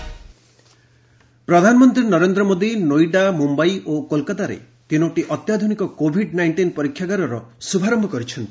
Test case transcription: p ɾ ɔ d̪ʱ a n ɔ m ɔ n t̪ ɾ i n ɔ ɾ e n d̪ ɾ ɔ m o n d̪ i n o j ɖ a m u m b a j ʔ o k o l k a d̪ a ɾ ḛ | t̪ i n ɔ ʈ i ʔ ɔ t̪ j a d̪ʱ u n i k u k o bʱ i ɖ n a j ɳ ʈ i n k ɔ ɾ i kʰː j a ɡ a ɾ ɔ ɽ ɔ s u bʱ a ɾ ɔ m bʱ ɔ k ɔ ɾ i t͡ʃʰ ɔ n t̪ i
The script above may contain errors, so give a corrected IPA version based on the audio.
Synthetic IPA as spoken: p ɾ ɔ d̪ʱ a n ɔ m ɔ n t̪ ɾ i n ɔ ɾ e n d̪ ɾ ɔ m o d̪ i n o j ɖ a m u m b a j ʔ o k o l k a t̪ a ɾ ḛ | t̪ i n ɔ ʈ i ʔ ɔ t̪ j a d̪ʱ u n i k ɔ k o bʱ i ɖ n a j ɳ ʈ i n p ɔ ɾ i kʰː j a ɡ a ɾ ɔ ɾ ɔ s u bʱ a ɾ ɔ m bʱ ɔ k ɔ ɾ i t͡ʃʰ ɔ n t̪ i